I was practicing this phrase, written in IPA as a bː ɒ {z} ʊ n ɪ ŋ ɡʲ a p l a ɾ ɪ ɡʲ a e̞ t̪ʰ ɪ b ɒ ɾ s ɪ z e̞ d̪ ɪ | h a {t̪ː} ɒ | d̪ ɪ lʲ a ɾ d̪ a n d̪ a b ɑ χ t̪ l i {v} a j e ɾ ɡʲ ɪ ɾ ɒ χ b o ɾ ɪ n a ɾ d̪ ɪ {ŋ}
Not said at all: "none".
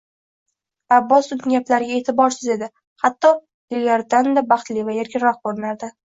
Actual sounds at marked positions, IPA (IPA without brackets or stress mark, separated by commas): s, t̪ː, v, none